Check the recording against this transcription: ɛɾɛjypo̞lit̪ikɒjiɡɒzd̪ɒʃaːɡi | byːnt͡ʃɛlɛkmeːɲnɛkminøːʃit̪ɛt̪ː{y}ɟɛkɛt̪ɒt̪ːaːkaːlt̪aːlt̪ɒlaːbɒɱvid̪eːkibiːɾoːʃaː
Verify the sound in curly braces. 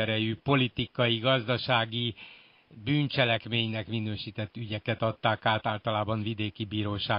correct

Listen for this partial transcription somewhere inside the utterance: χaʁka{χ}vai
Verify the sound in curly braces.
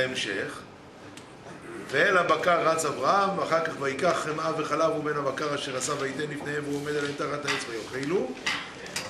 correct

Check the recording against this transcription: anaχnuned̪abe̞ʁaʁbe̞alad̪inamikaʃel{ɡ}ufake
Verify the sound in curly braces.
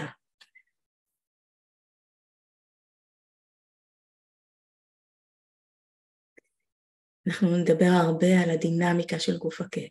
correct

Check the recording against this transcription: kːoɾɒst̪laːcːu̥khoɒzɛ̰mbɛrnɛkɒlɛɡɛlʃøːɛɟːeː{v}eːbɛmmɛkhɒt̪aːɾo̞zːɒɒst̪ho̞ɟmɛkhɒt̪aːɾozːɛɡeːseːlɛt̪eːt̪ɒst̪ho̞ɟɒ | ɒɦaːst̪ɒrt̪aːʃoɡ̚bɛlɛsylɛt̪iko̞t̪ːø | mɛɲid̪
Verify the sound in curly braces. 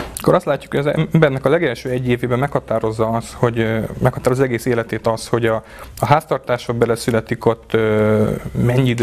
correct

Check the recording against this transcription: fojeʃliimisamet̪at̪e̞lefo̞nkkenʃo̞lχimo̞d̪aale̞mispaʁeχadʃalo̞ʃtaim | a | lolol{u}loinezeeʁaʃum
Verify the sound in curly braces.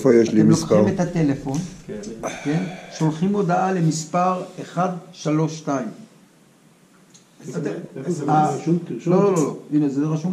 incorrect: o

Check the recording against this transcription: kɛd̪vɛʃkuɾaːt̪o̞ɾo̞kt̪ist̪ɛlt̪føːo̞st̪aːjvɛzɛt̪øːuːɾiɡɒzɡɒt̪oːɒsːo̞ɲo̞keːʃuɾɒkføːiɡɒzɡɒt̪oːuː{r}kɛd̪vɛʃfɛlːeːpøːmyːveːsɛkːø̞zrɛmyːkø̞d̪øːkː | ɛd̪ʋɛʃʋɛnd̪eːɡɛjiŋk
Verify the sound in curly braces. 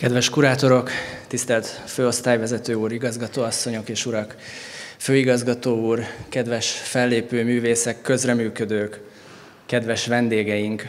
correct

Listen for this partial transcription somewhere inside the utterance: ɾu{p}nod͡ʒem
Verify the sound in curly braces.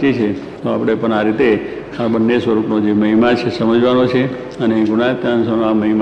correct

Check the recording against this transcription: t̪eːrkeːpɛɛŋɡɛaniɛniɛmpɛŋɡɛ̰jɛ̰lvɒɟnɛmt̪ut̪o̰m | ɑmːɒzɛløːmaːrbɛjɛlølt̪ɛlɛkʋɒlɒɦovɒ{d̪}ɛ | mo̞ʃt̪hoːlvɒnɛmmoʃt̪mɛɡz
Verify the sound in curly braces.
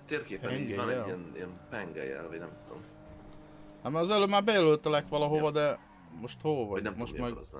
correct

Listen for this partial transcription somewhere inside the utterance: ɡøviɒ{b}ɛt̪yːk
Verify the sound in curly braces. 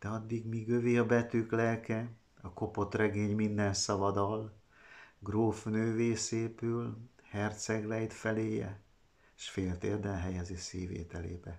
correct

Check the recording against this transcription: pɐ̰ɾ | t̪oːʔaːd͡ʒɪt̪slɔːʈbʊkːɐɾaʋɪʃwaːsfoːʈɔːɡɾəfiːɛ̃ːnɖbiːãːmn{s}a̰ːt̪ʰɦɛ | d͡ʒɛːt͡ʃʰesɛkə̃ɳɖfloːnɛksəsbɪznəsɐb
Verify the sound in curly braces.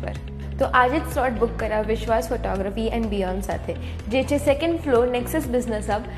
correct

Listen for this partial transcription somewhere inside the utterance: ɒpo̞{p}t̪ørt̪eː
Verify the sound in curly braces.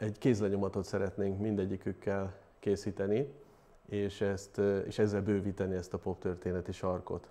correct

